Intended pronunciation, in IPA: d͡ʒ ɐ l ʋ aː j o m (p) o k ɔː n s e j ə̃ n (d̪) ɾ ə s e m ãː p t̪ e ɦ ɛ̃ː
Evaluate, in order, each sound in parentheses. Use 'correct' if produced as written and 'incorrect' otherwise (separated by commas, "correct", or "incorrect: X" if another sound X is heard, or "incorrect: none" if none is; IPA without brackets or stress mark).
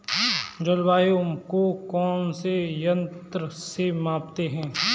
incorrect: k, incorrect: t̪